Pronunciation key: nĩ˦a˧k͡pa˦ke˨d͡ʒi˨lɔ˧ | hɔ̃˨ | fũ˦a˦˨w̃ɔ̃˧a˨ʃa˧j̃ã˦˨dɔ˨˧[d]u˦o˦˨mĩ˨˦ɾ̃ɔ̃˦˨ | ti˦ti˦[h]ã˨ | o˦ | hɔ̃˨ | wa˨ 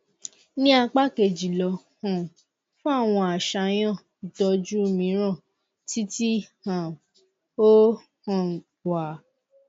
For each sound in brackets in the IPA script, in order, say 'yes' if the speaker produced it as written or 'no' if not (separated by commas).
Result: no, yes